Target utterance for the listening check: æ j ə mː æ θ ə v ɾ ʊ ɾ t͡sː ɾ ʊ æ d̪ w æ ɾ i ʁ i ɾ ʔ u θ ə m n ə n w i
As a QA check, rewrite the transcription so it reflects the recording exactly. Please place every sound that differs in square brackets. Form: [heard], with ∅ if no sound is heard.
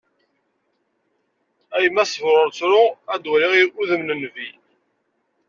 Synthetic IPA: æ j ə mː æ [s] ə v ɾ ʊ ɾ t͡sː ɾ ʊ æ d̪ w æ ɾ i ʁ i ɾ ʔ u [ð] ə m n ə n [v] i